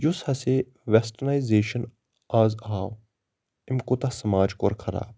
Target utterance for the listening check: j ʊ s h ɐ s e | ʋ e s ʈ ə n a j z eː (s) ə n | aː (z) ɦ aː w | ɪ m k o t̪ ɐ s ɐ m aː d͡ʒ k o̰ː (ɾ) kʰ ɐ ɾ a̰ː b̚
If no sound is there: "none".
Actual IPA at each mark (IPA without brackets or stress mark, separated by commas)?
ʃ, z, ɾ